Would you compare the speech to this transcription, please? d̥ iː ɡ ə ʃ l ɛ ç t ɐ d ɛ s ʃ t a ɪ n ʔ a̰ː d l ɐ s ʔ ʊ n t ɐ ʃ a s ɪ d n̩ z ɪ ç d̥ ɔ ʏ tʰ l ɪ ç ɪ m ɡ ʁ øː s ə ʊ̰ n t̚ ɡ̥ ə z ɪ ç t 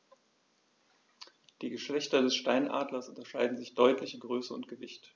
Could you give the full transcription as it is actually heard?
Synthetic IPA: d̥ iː ɡ ə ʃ l ɛ ç t ɐ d ɛ s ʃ t a ɪ n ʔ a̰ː d l ɐ s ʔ ʊ n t ɐ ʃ a ɪ d n̩ z ɪ ç d̥ ɔ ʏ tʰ l ɪ ç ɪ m ɡ ʁ øː s ə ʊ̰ n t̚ ɡ̥ ə v ɪ ç t